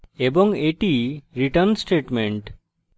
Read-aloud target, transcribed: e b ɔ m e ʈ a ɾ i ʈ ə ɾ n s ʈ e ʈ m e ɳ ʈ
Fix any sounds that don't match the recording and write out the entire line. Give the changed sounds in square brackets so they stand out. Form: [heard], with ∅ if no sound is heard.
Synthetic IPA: e b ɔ [ŋ] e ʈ [i] ɾ i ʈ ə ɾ n s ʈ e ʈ m e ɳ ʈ